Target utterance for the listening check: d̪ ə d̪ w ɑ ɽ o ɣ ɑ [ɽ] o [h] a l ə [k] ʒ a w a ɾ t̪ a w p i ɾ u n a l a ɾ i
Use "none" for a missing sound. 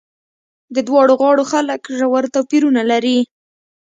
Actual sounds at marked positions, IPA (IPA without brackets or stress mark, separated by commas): ɽ, x, k